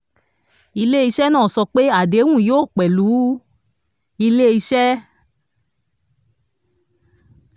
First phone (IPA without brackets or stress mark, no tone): i